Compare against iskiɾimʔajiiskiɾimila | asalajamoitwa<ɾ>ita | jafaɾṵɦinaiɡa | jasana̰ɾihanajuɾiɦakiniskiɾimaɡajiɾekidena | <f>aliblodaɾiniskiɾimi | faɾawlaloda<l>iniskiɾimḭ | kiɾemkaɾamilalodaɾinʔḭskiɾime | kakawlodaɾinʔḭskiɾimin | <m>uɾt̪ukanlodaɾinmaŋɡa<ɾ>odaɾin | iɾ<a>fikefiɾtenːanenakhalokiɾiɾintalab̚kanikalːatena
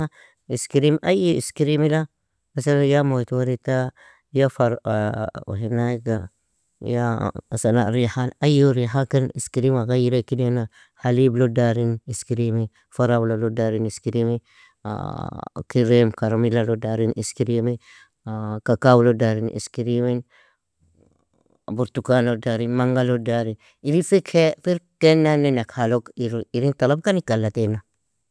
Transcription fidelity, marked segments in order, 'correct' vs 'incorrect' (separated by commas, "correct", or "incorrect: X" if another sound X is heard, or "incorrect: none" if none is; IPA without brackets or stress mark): correct, incorrect: h, incorrect: ɾ, incorrect: b, incorrect: l, incorrect: i